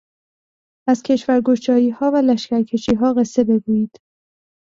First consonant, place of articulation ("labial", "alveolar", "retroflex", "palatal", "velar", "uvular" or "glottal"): alveolar